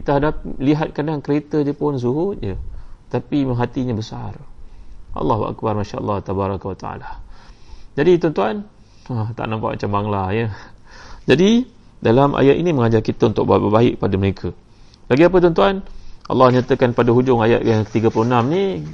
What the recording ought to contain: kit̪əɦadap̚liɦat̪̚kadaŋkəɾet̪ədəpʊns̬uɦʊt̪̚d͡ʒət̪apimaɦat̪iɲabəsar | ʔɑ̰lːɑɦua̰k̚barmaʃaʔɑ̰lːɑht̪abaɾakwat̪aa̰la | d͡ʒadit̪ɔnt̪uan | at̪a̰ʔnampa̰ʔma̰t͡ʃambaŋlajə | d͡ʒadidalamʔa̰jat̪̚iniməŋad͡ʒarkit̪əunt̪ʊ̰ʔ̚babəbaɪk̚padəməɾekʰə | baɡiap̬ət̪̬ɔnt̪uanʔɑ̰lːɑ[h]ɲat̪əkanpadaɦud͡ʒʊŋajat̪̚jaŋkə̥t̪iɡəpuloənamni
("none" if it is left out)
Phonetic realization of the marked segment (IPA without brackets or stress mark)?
h